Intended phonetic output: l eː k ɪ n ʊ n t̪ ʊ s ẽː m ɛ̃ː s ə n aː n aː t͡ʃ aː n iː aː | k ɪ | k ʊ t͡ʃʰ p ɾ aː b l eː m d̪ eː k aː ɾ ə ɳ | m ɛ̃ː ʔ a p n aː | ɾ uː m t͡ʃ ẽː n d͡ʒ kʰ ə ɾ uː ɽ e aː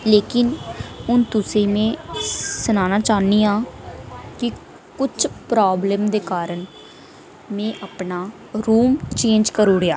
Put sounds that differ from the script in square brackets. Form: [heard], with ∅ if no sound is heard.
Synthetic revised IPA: l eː k ɪ n ʊ n t̪ ʊ s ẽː m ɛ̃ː s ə n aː n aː t͡ʃ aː n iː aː | k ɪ | k ʊ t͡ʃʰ p ɾ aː b l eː m d̪ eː k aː ɾ ə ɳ | m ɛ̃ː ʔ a p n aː | ɾ uː m t͡ʃ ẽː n d͡ʒ [k] ə ɾ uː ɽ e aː